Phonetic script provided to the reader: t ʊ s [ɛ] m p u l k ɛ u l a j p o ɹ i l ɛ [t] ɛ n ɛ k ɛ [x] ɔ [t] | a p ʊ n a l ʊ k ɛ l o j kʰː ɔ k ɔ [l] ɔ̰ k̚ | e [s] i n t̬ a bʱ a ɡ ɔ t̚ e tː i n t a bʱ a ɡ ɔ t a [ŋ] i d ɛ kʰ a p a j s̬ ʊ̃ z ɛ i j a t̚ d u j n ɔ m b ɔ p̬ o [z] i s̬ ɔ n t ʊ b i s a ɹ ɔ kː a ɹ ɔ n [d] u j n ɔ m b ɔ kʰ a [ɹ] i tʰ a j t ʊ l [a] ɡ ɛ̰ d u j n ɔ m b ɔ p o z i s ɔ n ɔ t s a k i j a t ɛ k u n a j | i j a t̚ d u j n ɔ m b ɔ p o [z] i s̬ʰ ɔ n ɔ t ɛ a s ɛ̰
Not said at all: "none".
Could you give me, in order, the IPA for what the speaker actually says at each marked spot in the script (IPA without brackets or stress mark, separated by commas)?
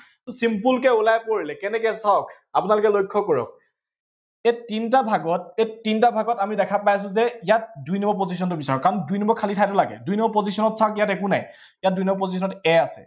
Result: i, k, s, k, ɹ, t, m, z, d, l, a, z